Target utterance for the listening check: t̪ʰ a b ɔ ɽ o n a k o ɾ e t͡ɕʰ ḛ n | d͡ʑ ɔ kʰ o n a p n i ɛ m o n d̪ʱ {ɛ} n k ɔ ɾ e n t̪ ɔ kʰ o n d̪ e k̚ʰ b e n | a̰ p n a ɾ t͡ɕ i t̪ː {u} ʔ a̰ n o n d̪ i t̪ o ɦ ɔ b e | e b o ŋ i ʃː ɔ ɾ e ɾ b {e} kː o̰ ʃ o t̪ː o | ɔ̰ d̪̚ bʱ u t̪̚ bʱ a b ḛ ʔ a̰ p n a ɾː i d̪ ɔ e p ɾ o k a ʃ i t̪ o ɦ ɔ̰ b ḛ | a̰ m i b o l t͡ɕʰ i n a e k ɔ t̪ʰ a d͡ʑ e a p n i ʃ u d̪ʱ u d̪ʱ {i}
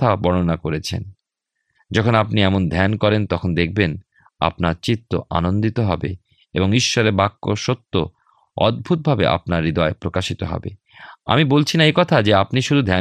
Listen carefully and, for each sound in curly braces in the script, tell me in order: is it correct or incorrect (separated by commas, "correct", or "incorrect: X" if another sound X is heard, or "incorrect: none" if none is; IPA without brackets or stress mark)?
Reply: correct, incorrect: o, incorrect: a, incorrect: ɛ